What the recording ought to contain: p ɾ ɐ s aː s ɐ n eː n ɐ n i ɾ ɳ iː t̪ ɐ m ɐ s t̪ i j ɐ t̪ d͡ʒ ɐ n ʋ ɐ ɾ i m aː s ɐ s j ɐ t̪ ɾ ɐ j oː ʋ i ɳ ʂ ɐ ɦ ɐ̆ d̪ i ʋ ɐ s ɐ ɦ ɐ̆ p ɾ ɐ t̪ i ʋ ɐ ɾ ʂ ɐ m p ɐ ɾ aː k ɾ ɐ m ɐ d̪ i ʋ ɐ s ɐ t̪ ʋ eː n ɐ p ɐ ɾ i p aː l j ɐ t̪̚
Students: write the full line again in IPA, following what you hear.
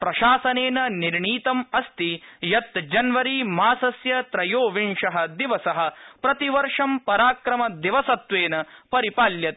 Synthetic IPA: p ɾ ɐ ʃ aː s ɐ n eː n ɐ n i ɾ ɳ iː t̪ ɐ m ɐ s t̪ i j ɐ t̪ d͡ʒ ɐ n ʋ ɐ ɾ i m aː s ɐ s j ɐ t̪ ɾ ɐ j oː ʋ i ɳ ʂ ɐ ɦ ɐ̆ d̪ i ʋ ɐ s ɐ ɦ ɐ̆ p ɾ ɐ t̪ i ʋ ɐ ɾ ʂ ɐ m p ɐ ɾ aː k ɾ ɐ m ɐ d̪ i ʋ ɐ s ɐ t̪ ʋ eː n ɐ p ɐ ɾ i p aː l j ɐ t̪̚